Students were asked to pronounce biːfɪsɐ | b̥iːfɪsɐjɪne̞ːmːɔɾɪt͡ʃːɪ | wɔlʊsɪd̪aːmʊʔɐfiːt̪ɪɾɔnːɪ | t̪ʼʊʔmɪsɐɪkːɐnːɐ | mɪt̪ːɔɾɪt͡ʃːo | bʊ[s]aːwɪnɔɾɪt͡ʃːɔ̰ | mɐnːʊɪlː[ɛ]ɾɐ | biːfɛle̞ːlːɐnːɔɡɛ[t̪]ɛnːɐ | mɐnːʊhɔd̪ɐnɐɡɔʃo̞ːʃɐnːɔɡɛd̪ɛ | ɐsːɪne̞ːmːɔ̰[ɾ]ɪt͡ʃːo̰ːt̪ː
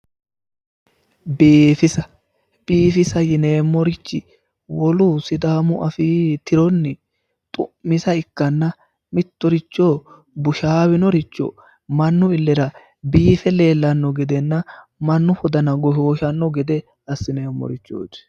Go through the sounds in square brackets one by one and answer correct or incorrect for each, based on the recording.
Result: incorrect: ʃ, correct, incorrect: d̪, correct

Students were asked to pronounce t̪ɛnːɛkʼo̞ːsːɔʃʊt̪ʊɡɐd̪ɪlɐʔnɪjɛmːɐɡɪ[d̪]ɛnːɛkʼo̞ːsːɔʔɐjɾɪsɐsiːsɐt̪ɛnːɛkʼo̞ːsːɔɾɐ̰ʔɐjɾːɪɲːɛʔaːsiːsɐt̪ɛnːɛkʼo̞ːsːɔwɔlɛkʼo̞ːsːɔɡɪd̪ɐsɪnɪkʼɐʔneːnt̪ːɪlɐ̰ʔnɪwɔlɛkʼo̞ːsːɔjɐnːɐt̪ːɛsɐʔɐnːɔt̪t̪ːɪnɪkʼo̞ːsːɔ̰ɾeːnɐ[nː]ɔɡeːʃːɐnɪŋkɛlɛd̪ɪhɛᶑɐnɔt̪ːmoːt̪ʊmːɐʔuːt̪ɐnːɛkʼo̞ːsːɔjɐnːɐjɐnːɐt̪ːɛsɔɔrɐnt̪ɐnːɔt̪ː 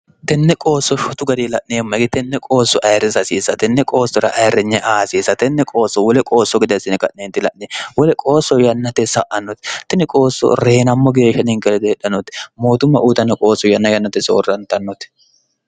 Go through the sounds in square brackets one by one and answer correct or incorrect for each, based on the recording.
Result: incorrect: t̪, incorrect: mː

